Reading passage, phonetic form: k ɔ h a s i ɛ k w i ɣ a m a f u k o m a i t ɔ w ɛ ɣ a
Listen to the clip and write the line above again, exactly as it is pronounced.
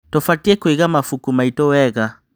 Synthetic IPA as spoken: t ɔ f a t i ɛ k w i ɣ a m a f u k u m a i t ɔ w ɛ ɣ a